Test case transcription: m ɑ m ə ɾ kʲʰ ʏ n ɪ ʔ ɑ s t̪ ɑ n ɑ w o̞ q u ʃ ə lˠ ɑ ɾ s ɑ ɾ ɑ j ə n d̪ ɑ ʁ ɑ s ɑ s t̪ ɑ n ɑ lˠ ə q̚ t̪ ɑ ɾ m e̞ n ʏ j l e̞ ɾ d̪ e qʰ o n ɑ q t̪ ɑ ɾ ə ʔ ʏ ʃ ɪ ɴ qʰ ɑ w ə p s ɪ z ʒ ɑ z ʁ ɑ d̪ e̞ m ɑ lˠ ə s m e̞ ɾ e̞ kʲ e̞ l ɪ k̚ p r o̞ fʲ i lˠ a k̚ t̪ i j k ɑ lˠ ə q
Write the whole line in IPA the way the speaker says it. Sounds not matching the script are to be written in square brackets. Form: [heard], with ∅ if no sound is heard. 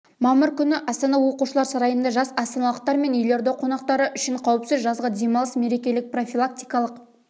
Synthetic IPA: m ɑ m ə ɾ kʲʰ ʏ n ɪ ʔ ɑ s t̪ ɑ n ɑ w o̞ q u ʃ ə lˠ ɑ ɾ s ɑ ɾ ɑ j ə n d̪ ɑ [ʒ] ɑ s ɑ s t̪ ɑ n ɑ lˠ ə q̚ t̪ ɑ ɾ m e̞ n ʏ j l e̞ ɾ d̪ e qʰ o n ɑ q t̪ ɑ ɾ ə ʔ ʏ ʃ ɪ ɴ qʰ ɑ w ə p s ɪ z ʒ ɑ z ʁ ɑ d̪ e̞ m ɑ lˠ ə s m e̞ ɾ e̞ kʲ e̞ l ɪ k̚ p r o̞ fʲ i lˠ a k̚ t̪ i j k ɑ lˠ ə q

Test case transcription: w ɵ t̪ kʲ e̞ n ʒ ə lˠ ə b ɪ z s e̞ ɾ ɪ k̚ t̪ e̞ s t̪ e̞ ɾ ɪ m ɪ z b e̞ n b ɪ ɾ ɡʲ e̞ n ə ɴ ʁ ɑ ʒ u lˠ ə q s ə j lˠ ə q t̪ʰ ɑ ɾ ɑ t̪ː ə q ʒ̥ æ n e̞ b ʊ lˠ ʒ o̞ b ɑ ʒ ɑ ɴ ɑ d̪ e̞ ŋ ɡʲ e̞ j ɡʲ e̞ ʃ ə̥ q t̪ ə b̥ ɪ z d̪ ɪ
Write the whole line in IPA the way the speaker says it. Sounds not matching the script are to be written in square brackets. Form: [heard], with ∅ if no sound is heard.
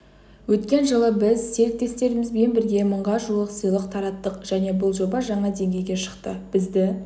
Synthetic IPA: w ɵ t̪ kʲ e̞ n ʒ ə lˠ ə b ɪ z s e̞ ɾ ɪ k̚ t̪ e̞ s t̪ e̞ ɾ ɪ m ɪ z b e̞ n b ɪ ɾ ɡʲ e̞ [m] ə ɴ ʁ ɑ ʒ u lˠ ə q s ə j lˠ ə q t̪ʰ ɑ ɾ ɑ t̪ː ə q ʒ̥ æ n e̞ b ʊ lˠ ʒ o̞ b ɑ ʒ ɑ ɴ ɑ d̪ e̞ ŋ ɡʲ e̞ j ɡʲ e̞ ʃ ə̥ q t̪ ə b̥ ɪ z d̪ ɪ

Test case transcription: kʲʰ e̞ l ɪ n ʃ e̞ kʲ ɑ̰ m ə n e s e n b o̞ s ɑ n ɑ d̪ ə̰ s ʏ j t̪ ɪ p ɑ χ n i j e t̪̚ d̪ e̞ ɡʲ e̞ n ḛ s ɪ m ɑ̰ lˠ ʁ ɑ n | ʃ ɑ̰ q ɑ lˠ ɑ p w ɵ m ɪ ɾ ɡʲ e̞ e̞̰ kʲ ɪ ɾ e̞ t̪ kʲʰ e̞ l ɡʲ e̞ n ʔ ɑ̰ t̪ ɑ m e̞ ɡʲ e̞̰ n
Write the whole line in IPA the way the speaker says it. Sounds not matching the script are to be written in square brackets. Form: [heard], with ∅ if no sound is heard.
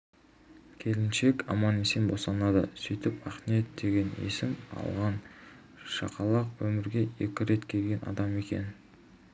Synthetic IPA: kʲʰ e̞ l ɪ n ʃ e̞ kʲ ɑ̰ m [ɑ] n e s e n b o̞ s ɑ n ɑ d̪ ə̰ s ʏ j t̪ ɪ p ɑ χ n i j e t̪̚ d̪ e̞ ɡʲ e̞ n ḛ s ɪ m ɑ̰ lˠ ʁ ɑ n | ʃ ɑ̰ q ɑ lˠ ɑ [q] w ɵ m ɪ ɾ ɡʲ e̞ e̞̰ kʲ ɪ ɾ e̞ t̪ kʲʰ e̞ l ɡʲ e̞ n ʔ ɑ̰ [d̪] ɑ m e̞ [kʲ] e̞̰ n

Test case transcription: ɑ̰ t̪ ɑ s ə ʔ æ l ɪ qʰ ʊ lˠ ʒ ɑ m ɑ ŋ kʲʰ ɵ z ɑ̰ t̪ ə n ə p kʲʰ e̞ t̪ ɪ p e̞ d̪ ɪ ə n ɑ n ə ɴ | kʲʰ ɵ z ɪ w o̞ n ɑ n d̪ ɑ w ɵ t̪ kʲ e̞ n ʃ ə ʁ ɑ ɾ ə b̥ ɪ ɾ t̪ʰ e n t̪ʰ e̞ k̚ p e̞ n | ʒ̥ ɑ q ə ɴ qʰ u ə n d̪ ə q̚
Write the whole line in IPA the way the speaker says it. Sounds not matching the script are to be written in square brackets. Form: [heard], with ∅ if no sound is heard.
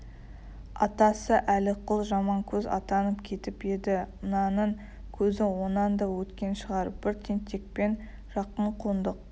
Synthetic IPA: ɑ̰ t̪ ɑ s ə ʔ æ l ɪ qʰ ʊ lˠ ʒ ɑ m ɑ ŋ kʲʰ ɵ z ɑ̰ t̪ [ɑ] n ə p kʲʰ e̞ t̪ ɪ p e̞ d̪ ɪ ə n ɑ n ə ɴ | kʲʰ ɵ z ɪ w o̞ n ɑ n d̪ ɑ w ɵ t̪ kʲ e̞ n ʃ ə ʁ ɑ ɾ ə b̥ ɪ ɾ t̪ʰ e n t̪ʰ e̞ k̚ p e̞ n | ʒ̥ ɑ q ə ɴ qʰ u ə n d̪ ə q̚

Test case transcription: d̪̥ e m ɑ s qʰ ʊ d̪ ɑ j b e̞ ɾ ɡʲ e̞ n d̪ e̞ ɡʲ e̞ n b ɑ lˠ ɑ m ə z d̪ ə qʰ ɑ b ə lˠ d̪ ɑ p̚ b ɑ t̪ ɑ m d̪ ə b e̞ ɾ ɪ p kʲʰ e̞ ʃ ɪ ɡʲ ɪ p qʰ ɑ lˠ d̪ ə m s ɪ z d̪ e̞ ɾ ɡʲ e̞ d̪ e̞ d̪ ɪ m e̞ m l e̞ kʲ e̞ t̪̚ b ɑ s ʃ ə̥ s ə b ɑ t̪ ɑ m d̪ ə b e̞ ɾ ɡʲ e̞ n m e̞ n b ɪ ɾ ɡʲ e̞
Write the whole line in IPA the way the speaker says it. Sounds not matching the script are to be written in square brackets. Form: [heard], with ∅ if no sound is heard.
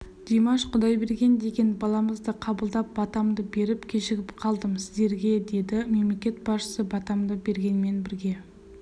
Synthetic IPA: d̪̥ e m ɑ [ʃ] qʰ ʊ d̪ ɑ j b e̞ ɾ ɡʲ e̞ n d̪ e̞ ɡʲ e̞ n b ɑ lˠ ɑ m ə z d̪ ə qʰ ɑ b ə lˠ d̪ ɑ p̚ b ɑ t̪ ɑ m d̪ ə b e̞ ɾ ɪ p kʲʰ e̞ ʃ ɪ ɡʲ ɪ p qʰ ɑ lˠ d̪ ə m s ɪ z d̪ e̞ ɾ ɡʲ e̞ d̪ e̞ d̪ ɪ m e̞ m l e̞ kʲ e̞ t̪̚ b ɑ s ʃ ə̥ s ə b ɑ t̪ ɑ m d̪ ə b e̞ ɾ ɡʲ e̞ n m e̞ n b ɪ ɾ ɡʲ e̞

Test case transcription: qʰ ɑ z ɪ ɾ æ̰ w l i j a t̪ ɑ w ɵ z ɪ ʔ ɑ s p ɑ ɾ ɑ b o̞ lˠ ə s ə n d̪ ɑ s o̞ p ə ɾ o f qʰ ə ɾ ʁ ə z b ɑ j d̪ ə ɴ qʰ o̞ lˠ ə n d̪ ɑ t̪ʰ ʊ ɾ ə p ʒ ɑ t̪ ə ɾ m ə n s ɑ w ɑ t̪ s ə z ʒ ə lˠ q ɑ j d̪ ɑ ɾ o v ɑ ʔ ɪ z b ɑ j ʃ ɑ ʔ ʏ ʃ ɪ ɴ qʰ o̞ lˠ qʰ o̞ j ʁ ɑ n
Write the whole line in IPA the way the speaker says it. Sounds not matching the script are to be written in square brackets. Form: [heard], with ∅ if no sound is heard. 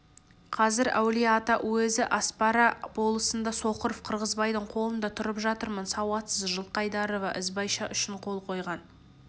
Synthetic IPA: qʰ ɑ z ɪ ɾ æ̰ w l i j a t̪ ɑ w ɵ z ɪ ʔ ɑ s p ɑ ɾ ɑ b o̞ lˠ ə s ə n d̪ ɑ s o̞ [q] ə ɾ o f qʰ ə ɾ ʁ ə z b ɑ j d̪ ə ɴ qʰ o̞ lˠ ə n d̪ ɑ t̪ʰ ʊ ɾ ə p ʒ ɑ t̪ ə ɾ m ə n s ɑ w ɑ t̪ s ə z ʒ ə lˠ q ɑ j d̪ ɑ ɾ o v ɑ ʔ ɪ z b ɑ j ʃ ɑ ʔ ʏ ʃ ɪ ɴ qʰ o̞ lˠ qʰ o̞ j ʁ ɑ n

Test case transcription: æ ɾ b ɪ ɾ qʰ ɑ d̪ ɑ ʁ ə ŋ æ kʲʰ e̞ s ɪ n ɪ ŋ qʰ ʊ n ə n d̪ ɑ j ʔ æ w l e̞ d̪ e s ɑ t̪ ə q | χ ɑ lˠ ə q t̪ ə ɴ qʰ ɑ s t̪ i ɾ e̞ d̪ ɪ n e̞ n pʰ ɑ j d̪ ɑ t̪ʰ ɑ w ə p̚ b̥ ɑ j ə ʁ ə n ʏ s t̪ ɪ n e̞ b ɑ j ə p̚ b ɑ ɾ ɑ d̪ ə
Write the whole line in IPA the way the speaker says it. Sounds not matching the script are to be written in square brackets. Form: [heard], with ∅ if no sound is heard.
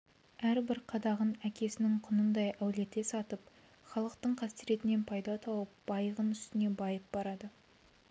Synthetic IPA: æ ɾ b ɪ ɾ qʰ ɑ d̪ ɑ ʁ ə [n] æ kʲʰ e̞ s ɪ n ɪ ŋ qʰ ʊ n ə n d̪ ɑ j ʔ æ w l e̞ [t̪] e s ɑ t̪ ə [p] | χ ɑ lˠ ə q t̪ ə ɴ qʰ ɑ s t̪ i ɾ e̞ [t̪] ɪ n e̞ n pʰ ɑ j d̪ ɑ t̪ʰ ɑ w ə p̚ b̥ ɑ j ə ʁ ə n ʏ s t̪ ɪ n e̞ b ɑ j ə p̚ b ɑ ɾ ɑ d̪ ə

